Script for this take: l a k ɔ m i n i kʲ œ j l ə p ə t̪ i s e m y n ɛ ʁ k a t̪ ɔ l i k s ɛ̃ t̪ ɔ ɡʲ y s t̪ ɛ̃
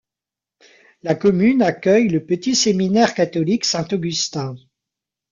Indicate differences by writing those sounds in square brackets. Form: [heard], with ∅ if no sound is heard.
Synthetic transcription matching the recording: l a k ɔ m [y] n [a] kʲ œ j l ə p ə t̪ i s e m [i] n ɛ ʁ k a t̪ ɔ l i k s ɛ̃ t̪ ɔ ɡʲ y s t̪ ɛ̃

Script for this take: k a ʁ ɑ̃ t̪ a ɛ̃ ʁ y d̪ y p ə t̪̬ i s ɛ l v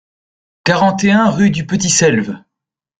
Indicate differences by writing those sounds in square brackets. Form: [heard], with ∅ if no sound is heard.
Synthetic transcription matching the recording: k a ʁ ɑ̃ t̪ [e] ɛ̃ ʁ y d̪ y p ə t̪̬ i s ɛ l v

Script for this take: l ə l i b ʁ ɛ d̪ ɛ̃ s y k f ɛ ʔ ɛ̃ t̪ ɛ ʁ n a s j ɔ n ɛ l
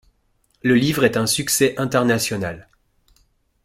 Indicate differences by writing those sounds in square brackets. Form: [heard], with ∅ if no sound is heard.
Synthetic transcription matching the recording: l ə l i [v] ʁ ɛ [t̪] ɛ̃ s y k [s] ɛ ʔ ɛ̃ t̪ ɛ ʁ n a s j ɔ n [a] l

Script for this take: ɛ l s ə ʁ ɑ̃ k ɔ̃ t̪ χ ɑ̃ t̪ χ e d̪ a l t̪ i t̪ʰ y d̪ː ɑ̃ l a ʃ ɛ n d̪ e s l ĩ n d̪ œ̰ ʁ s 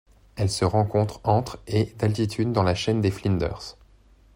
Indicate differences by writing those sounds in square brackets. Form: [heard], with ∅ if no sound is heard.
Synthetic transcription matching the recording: ɛ l s ə ʁ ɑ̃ k ɔ̃ t̪ χ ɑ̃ t̪ χ e d̪ a l t̪ i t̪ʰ y d̪ː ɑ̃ l a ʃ ɛ n d̪ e [f] l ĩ n d̪ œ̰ ʁ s

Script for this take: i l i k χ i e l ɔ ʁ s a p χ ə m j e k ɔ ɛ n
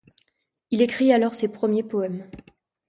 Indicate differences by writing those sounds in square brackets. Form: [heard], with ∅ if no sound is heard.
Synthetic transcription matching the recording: i l [e] k χ i [a] l ɔ ʁ s [e] p χ ə m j e [p] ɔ ɛ [m]

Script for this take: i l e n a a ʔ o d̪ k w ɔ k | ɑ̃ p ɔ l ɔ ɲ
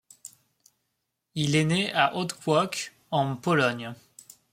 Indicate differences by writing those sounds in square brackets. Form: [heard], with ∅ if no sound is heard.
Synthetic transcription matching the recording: i l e n [e] a ʔ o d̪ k w ɔ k | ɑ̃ p ɔ l ɔ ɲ

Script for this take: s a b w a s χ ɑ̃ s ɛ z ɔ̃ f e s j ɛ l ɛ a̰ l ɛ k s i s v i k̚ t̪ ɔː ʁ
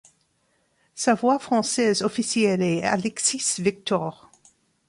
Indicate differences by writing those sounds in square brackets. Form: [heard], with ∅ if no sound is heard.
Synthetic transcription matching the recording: s a [v] w a [f] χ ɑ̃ s ɛ z [ɔ] f [i] s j ɛ l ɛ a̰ l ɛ k s i s v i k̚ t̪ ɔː ʁ

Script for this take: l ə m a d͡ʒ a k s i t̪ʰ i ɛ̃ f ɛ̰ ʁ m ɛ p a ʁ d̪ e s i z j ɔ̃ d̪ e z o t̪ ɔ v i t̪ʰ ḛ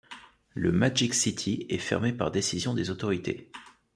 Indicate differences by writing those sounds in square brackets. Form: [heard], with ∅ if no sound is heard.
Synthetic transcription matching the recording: l ə m a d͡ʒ [i] k s i t̪ʰ i [ɛ] f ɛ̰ ʁ m [e] p a ʁ d̪ e s i z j ɔ̃ d̪ e z o t̪ ɔ [ʁ] i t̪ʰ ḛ

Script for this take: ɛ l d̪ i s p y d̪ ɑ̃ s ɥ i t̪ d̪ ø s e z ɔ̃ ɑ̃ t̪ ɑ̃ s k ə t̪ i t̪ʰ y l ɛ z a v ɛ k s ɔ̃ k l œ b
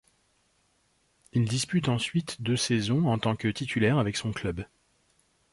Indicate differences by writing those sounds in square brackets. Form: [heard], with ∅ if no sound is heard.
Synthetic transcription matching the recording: [i] l d̪ i s p y [t̪] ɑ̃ s ɥ i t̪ d̪ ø s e z ɔ̃ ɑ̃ t̪ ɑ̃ [∅] k ə t̪ i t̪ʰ y l ɛ [ʁ] a v ɛ k s ɔ̃ k l œ b

